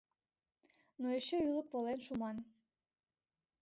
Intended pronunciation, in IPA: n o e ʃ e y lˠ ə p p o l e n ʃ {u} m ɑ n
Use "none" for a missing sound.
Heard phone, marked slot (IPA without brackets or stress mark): u